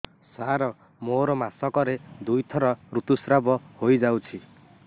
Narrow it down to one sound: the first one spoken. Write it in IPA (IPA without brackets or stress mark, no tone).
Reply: s